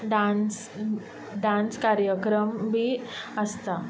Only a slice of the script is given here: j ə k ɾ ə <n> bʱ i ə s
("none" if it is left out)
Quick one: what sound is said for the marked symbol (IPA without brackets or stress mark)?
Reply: m